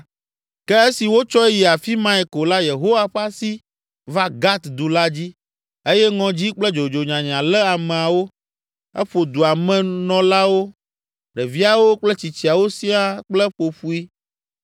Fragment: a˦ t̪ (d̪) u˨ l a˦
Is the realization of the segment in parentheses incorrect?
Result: no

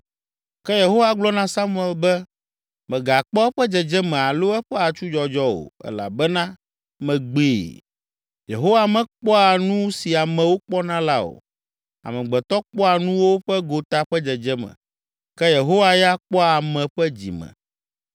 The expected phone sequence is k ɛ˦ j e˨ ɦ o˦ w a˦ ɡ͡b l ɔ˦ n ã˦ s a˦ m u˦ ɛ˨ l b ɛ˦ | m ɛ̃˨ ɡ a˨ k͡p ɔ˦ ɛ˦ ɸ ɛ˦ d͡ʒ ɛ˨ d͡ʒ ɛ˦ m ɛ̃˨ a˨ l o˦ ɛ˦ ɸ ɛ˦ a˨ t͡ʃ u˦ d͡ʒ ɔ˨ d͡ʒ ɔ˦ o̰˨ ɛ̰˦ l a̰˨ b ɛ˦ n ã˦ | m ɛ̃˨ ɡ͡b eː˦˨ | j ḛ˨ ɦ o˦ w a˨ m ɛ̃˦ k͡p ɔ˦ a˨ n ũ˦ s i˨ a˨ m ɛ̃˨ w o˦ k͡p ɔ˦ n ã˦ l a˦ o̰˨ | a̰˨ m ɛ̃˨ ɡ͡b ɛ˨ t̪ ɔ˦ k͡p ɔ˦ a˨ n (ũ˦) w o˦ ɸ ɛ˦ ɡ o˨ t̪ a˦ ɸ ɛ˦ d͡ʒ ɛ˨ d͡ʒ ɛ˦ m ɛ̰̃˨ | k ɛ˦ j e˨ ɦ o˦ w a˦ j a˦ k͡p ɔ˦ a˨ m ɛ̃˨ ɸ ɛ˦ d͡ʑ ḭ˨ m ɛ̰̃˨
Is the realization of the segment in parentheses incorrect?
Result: no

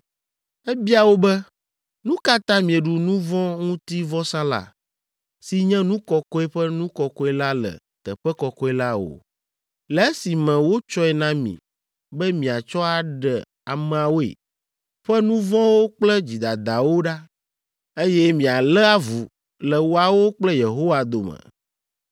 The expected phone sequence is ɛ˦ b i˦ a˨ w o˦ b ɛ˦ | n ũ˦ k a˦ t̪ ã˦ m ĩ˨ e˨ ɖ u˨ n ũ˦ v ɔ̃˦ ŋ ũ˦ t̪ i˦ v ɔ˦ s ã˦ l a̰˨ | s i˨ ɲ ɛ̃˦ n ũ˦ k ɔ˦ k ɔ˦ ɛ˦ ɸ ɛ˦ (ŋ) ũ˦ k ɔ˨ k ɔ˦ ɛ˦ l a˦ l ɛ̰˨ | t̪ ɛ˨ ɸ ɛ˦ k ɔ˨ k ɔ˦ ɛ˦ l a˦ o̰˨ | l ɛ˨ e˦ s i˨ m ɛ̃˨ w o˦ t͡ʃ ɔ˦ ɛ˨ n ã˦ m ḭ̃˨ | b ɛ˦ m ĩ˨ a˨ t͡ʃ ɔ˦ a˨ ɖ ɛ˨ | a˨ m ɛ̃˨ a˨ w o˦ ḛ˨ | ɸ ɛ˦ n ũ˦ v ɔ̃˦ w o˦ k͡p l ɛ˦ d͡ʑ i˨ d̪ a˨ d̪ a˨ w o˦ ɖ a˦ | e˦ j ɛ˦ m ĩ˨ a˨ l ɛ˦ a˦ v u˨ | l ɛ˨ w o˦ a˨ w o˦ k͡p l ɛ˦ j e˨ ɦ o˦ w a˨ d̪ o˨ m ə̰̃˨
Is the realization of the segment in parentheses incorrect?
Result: yes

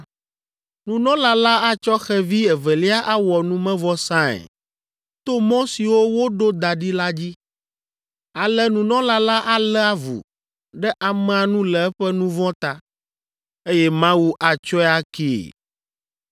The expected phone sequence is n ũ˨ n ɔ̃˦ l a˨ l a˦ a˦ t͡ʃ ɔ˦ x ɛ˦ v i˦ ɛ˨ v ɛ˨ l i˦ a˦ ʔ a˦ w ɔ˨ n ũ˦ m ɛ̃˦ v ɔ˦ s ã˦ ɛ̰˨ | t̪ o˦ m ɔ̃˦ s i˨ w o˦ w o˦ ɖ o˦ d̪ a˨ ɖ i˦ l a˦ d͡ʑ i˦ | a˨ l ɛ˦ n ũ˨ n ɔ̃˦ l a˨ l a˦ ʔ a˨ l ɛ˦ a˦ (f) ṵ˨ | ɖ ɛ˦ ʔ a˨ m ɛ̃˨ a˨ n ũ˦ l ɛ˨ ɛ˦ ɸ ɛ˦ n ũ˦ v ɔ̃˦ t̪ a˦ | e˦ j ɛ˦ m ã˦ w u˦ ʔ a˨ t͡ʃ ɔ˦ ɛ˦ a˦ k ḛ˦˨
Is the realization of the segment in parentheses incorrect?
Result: yes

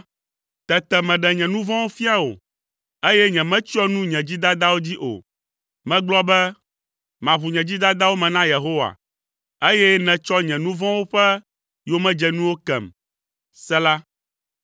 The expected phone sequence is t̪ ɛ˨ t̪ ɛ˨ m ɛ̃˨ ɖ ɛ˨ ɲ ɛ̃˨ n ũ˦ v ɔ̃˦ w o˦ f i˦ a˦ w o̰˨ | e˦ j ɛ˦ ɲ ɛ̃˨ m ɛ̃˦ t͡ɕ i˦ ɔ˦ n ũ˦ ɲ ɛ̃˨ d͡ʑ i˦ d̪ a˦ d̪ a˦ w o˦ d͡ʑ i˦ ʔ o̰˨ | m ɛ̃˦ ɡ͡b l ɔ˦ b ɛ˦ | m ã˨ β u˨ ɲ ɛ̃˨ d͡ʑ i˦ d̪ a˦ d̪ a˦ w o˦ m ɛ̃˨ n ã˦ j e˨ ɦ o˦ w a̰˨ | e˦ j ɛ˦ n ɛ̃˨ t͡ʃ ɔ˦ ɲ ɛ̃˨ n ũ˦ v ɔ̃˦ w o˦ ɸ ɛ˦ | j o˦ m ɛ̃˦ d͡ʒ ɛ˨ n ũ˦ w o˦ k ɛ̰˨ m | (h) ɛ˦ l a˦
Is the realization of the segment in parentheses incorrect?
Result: yes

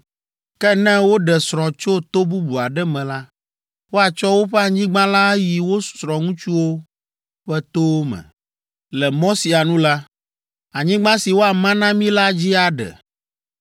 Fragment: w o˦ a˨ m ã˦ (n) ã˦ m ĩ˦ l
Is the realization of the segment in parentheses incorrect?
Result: no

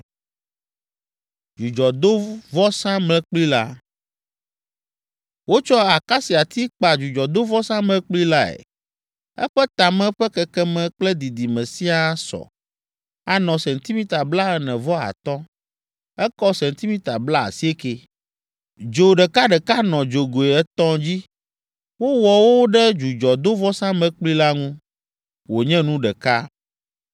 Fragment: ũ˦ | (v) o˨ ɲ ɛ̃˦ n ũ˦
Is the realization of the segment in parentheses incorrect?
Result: yes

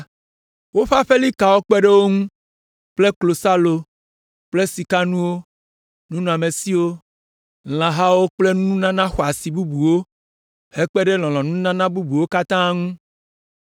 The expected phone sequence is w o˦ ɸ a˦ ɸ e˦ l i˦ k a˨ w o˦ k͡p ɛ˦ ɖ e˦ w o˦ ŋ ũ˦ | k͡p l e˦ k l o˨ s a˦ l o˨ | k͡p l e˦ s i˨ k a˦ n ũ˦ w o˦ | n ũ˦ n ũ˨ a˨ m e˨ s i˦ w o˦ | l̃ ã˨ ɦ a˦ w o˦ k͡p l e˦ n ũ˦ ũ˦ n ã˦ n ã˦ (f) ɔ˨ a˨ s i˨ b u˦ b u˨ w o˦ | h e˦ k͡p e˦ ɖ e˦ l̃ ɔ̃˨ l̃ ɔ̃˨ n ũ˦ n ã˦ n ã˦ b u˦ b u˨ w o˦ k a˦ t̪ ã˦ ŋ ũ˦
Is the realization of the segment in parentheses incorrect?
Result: yes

